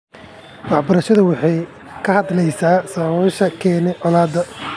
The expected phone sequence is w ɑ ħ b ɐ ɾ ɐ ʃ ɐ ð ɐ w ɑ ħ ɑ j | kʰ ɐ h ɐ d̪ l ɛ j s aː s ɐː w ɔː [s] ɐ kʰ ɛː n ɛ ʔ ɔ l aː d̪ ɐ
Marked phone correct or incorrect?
incorrect: ʃ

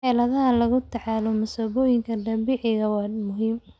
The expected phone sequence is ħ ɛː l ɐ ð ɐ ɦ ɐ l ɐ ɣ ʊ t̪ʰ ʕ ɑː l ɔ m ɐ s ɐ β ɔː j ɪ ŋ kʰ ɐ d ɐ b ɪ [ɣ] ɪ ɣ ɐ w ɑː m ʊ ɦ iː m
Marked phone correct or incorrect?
incorrect: ʕ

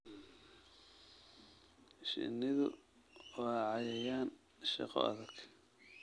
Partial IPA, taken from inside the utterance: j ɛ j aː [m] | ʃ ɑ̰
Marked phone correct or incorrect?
incorrect: n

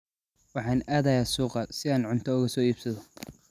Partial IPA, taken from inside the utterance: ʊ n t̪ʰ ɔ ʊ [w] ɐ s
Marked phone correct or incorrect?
incorrect: ɣ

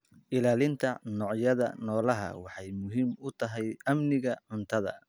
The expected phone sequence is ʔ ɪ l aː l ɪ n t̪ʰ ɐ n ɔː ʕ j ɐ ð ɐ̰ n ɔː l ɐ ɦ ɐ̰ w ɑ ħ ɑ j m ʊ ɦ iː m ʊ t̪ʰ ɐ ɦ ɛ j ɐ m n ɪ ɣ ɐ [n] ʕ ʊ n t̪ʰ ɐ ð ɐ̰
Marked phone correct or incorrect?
incorrect: none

